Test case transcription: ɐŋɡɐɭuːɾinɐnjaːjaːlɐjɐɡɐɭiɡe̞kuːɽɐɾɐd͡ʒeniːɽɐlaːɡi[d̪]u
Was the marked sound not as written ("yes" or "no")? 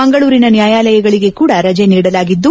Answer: yes